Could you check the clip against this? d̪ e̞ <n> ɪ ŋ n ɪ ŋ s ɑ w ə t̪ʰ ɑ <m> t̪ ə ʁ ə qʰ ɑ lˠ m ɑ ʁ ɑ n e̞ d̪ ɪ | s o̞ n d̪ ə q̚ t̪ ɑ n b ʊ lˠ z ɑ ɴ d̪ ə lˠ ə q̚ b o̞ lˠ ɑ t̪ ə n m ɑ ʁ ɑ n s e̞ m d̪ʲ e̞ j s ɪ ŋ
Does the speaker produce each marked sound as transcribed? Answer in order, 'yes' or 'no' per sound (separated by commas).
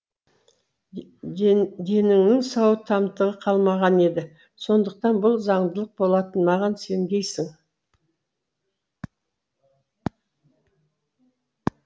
yes, yes